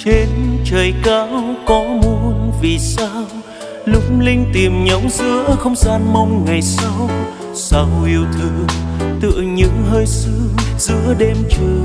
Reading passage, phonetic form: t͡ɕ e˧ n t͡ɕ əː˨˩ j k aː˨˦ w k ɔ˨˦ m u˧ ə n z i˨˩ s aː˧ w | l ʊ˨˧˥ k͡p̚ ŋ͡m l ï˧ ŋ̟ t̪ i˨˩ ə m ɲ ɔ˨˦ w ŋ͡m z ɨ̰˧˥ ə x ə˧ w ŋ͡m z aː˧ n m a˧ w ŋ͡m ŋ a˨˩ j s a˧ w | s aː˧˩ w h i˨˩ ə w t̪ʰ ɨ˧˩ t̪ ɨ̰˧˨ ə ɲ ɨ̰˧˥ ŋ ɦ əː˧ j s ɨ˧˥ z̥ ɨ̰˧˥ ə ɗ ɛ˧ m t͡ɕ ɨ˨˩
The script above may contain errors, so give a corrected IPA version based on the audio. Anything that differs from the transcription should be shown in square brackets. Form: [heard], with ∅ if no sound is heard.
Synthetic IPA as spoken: t͡ɕ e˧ n t͡ɕ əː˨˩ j k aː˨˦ w k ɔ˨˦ m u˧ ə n [v] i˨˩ s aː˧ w | l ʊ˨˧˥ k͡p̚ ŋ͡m l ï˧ ŋ̟ t̪ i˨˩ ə m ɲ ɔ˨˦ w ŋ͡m z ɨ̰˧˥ ə x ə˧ w ŋ͡m z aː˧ n m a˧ w ŋ͡m ŋ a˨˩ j s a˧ w | s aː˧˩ w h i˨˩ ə w t̪ʰ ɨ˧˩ t̪ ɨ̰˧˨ ə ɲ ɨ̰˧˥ ŋ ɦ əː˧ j s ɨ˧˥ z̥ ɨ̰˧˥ ə ɗ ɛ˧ m t͡ɕ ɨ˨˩